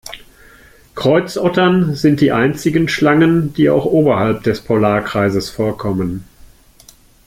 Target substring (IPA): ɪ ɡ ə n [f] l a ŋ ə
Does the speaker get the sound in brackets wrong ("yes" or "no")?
yes